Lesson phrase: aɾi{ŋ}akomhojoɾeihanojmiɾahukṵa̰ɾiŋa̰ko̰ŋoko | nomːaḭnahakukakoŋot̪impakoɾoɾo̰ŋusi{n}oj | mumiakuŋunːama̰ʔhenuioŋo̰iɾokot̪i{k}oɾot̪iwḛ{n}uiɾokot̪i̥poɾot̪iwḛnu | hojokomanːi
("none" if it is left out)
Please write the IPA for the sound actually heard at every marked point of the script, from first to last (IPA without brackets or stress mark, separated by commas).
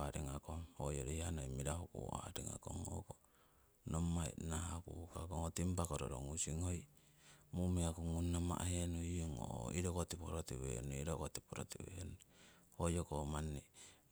ŋ, ŋ, p, n